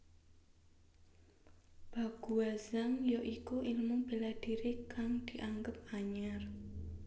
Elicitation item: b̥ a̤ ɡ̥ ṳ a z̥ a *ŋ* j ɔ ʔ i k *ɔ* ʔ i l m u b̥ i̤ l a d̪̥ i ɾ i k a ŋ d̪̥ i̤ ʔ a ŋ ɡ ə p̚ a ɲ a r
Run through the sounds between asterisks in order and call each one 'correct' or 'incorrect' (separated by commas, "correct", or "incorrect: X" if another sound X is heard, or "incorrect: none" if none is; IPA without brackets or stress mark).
correct, incorrect: u